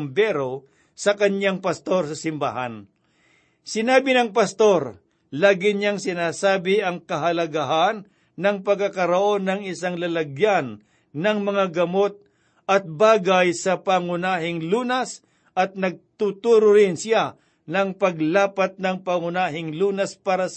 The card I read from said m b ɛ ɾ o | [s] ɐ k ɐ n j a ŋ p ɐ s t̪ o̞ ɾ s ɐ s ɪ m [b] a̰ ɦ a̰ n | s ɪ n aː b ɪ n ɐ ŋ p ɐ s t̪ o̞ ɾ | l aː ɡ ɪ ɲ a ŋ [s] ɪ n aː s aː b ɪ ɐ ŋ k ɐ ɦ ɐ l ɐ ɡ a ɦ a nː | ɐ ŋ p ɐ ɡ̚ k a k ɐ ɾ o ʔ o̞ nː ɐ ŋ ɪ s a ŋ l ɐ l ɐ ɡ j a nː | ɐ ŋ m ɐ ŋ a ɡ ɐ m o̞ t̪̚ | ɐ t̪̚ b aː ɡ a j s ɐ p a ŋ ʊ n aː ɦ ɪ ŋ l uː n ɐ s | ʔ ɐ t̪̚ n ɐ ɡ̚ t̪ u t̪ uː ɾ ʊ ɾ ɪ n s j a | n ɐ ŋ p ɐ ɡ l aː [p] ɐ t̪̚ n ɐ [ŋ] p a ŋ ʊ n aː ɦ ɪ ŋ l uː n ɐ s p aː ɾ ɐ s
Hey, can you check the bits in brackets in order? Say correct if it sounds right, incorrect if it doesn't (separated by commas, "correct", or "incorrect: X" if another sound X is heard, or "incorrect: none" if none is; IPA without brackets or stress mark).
correct, correct, correct, correct, correct